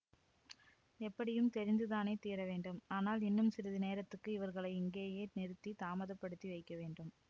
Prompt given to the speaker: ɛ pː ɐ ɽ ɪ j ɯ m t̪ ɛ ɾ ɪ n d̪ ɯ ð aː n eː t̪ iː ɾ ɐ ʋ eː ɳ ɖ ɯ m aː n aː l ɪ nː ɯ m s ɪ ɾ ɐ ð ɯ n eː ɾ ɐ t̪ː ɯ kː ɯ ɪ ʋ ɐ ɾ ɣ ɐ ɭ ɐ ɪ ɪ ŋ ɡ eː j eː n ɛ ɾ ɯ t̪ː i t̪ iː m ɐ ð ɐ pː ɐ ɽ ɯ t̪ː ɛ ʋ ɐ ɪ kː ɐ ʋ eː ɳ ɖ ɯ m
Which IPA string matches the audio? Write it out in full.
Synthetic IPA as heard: ɛ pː ɐ ɽ ɪ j ɯ m t̪ ɛ ɾ ɪ n d̪ ɯ ð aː n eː t̪ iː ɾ ɐ ʋ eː ɳ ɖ ɯ m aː n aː l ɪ nː ɯ m s ɪ ɾ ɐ ð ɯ n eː ɾ ɐ t̪ː ɯ kː ɯ ɪ ʋ ɐ ɾ ɣ ɐ ɭ ɐ ɪ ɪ ŋ ɡ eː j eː n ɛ ɾ ɯ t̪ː i t̪ aː m ɐ ð ɐ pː ɐ ɽ ɯ t̪ː i ʋ ɐ ɪ kː ɐ ʋ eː ɳ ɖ ɯ m